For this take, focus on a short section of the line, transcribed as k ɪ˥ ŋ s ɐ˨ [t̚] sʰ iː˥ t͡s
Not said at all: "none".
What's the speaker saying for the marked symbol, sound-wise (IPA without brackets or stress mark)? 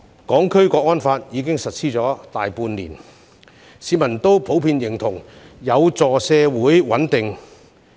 t̚